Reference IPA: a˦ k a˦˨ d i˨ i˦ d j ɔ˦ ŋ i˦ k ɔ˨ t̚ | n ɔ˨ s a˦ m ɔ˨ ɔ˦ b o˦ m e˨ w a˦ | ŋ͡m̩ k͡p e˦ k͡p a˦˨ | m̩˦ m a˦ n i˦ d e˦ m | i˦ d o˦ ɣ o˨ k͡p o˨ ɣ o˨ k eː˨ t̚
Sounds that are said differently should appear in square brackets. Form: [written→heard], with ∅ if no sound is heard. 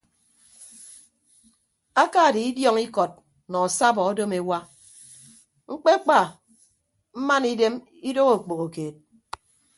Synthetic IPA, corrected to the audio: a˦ k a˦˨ d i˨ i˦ d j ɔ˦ ŋ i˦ k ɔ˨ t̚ | n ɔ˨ s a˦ [m→b] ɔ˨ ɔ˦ [b→d] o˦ m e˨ w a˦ | ŋ͡m̩ k͡p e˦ k͡p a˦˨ | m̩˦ m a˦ n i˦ d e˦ m | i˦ d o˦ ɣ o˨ k͡p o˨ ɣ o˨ k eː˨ t̚